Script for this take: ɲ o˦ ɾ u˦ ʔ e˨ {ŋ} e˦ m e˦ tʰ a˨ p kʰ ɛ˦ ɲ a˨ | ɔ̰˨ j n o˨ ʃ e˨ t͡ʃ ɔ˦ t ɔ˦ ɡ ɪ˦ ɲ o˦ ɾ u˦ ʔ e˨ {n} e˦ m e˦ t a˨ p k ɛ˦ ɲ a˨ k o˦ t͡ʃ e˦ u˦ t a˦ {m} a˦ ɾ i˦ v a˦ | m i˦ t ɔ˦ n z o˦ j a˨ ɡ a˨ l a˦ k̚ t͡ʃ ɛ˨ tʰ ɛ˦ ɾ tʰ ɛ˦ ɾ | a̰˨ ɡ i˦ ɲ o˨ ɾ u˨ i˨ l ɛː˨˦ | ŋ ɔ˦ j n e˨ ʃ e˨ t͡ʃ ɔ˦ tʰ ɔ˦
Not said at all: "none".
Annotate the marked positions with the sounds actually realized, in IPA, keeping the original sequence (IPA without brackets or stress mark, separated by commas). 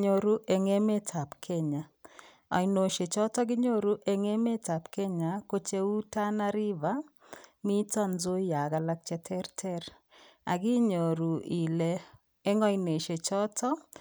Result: ŋ, ŋ, n